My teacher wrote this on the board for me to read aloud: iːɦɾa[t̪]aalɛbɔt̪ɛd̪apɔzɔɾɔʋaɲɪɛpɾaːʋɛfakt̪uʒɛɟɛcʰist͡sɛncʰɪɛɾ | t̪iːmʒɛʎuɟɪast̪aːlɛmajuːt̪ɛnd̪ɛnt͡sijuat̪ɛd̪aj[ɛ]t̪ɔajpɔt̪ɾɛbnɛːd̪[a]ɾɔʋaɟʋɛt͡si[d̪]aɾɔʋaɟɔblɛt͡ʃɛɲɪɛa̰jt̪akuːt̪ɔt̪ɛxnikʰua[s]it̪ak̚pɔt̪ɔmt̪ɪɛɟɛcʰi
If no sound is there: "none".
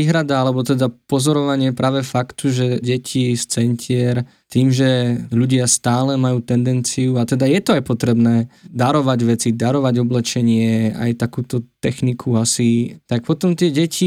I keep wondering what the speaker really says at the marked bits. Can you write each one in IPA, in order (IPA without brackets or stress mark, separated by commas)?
d̪, ɛ, a, d̪, s